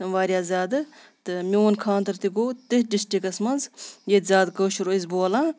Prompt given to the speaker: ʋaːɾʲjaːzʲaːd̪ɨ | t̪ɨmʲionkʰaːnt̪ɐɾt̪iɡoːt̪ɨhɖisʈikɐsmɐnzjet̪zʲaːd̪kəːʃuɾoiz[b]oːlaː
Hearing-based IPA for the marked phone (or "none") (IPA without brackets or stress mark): b